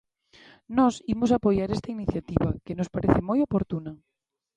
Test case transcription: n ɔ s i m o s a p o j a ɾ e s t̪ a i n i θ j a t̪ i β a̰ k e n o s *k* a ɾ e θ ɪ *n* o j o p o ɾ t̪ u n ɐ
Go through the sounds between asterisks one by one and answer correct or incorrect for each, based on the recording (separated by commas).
incorrect, incorrect